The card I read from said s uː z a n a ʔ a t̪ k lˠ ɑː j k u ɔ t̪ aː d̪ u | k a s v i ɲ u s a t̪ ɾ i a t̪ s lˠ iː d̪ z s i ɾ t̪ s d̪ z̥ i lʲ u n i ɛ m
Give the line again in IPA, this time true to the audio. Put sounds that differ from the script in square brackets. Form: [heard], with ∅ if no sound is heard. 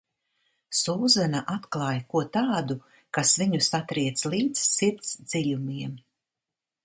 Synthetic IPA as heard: s uː z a n a ʔ a t̪ k lˠ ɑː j k u ɔ t̪ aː d̪ u | k a s v i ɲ u s a t̪ ɾ i [ɛ] t̪ s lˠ iː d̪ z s i ɾ t̪ s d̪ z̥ i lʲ u [m] i ɛ m